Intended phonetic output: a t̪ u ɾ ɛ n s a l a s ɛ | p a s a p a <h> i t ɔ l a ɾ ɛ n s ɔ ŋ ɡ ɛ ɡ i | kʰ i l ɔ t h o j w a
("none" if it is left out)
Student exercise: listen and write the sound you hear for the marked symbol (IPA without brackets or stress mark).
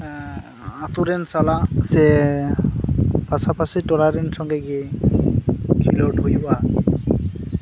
s